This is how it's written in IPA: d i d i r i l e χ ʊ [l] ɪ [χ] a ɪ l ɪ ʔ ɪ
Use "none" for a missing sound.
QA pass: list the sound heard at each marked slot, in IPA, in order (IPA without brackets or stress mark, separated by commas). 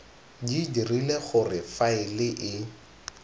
r, f